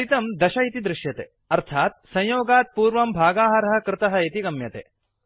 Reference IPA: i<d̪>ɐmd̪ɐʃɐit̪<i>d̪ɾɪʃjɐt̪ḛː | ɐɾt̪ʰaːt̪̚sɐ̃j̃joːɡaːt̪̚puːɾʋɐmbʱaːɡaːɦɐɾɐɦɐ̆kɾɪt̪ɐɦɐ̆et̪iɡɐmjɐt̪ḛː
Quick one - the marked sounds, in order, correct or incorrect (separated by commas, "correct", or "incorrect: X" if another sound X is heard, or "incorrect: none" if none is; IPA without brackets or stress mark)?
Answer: incorrect: t̪, correct